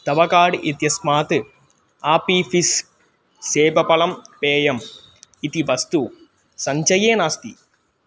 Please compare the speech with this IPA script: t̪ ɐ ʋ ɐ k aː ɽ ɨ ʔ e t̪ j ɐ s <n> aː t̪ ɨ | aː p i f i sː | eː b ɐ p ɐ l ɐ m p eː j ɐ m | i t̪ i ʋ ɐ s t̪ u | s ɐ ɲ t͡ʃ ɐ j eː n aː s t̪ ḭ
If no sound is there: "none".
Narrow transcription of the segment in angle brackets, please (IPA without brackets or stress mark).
m